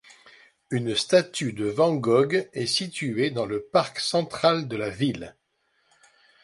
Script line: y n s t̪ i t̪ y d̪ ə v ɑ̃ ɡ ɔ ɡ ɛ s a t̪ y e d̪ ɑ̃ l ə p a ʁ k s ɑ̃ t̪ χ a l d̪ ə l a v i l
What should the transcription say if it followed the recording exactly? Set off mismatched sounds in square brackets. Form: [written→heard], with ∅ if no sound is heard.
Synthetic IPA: y n s t̪ [i→a] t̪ y d̪ ə v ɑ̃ ɡ ɔ ɡ ɛ s [a→i] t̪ y e d̪ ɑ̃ l ə p a ʁ k s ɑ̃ t̪ χ a l d̪ ə l a v i l